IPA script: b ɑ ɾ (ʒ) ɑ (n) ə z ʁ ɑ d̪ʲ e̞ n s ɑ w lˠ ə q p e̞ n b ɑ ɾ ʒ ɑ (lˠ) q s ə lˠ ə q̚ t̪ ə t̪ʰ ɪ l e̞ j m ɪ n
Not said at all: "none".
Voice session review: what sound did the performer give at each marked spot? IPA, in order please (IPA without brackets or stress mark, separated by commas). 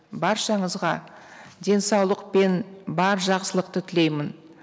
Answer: ʃ, ɴ, none